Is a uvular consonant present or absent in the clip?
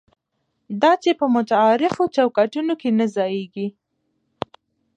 absent